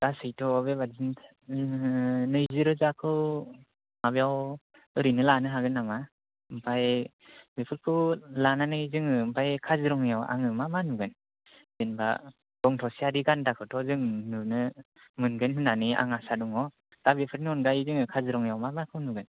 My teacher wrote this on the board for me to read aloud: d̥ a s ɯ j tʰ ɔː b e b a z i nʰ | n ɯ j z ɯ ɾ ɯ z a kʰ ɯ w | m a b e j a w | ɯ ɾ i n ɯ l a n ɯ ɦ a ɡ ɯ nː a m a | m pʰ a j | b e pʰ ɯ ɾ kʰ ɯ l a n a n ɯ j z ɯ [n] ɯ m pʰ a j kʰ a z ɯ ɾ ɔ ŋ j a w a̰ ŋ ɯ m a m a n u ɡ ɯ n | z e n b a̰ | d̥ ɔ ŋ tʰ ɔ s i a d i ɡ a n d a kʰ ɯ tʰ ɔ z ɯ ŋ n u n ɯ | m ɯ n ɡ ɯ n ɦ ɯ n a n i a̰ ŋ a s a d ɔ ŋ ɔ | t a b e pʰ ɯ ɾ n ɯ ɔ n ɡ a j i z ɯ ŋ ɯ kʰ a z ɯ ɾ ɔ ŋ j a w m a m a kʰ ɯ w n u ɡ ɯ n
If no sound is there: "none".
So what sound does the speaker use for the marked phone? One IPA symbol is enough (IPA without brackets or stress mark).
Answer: ŋ